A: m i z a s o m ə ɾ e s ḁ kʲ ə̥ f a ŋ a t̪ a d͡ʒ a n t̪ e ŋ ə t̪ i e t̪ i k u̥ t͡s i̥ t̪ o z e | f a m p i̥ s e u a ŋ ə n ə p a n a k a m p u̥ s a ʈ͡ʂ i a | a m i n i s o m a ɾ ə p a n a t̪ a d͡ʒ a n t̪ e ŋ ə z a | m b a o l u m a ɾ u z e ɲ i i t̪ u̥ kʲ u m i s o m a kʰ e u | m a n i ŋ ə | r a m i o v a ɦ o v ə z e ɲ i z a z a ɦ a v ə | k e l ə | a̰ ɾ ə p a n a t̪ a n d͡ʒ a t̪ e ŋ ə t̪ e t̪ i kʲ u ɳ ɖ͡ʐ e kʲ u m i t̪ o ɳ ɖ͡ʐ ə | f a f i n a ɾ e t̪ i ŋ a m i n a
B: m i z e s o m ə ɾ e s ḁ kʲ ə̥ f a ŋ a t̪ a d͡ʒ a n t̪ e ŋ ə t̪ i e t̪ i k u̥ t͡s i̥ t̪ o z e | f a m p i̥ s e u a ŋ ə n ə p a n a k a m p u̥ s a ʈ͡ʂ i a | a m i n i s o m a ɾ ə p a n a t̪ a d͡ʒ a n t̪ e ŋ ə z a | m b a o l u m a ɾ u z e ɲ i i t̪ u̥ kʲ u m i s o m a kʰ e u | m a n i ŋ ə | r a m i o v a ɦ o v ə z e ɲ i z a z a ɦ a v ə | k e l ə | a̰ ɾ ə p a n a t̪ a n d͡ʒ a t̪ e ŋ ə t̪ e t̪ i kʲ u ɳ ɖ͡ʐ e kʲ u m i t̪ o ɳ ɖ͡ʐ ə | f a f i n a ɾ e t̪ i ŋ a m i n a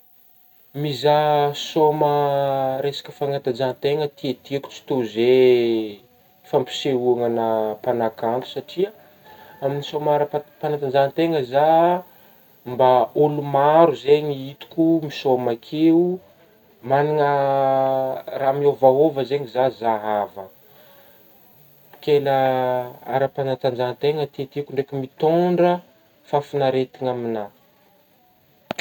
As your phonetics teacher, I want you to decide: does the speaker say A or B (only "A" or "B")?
A